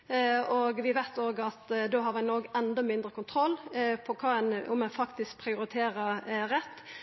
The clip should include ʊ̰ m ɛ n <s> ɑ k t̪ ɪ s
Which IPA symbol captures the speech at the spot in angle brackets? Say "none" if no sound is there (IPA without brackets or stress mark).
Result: f